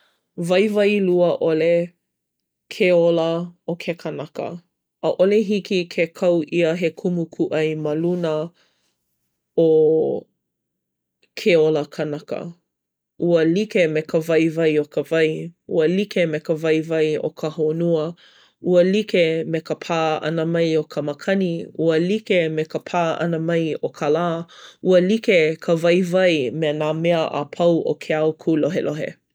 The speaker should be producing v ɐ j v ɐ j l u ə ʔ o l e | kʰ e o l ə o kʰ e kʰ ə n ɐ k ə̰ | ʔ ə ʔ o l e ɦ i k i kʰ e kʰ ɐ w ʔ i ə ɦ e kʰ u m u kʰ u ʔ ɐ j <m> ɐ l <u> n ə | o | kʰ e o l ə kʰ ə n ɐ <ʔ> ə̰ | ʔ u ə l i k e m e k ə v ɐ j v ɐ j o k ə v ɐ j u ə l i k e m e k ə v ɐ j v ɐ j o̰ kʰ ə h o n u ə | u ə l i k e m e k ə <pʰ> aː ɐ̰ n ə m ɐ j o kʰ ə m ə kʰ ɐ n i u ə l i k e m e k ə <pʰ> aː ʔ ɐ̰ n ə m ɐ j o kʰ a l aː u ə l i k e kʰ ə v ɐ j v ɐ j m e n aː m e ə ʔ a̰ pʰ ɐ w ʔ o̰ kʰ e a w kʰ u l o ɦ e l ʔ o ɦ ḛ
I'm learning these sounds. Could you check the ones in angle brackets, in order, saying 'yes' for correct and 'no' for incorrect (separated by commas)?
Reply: yes, yes, no, yes, yes